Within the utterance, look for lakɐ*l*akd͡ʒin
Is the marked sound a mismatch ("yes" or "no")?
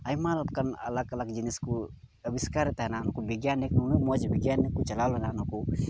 no